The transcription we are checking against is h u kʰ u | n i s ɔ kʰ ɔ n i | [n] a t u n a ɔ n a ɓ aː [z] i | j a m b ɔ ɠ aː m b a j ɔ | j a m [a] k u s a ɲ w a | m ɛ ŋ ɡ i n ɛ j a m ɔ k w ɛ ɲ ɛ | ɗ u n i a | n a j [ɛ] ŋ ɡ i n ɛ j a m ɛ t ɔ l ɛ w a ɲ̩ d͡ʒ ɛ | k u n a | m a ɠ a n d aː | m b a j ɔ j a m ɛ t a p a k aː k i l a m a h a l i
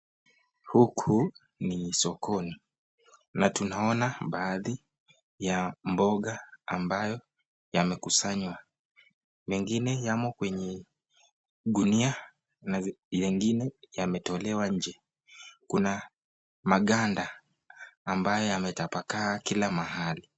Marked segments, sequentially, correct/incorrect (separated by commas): correct, incorrect, incorrect, correct